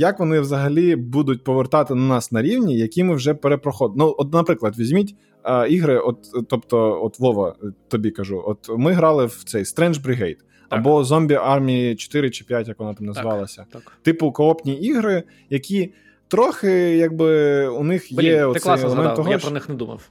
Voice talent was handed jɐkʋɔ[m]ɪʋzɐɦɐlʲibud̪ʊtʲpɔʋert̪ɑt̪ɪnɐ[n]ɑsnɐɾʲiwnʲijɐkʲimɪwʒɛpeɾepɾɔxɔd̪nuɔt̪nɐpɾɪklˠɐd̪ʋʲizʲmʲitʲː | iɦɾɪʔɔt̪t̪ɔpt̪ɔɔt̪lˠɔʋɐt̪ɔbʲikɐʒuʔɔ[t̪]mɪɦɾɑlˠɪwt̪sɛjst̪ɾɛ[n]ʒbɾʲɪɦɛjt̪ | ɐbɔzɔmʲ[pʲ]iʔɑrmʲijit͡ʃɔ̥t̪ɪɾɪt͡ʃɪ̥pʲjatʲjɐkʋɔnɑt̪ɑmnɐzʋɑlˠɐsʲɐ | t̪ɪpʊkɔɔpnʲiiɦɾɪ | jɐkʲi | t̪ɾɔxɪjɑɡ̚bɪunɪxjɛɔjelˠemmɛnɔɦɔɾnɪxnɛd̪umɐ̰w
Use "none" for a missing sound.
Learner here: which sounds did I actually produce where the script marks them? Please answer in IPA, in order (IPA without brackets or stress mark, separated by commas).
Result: n, n, t̪, n, bʲ